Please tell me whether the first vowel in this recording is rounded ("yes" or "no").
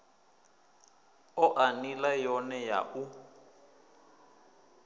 yes